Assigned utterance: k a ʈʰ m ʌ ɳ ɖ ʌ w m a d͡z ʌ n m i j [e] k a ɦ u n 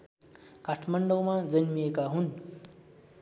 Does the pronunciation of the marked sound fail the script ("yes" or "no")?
no